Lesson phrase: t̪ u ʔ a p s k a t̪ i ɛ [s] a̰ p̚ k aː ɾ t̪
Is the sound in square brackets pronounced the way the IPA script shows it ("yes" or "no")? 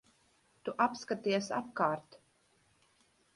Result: yes